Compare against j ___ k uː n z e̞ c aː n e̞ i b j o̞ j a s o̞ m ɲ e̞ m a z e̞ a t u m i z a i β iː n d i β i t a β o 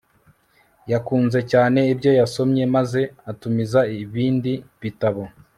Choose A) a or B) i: A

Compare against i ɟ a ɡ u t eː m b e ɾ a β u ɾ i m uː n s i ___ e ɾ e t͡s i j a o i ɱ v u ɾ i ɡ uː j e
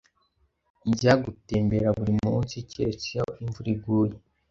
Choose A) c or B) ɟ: A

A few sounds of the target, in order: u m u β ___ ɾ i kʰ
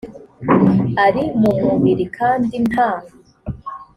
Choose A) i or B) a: A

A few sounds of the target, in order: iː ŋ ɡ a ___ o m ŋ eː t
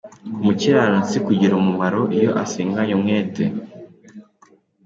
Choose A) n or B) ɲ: B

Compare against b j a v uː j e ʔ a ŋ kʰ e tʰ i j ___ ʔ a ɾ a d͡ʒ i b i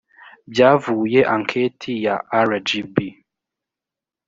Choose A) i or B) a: B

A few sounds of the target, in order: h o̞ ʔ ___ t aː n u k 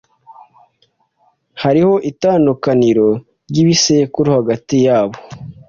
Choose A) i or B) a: A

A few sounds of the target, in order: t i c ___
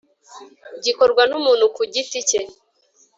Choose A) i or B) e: B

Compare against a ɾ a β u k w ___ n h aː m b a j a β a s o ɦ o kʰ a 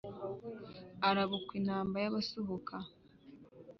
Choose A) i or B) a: A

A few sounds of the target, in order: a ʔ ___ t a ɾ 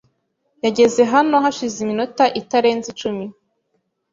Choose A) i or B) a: A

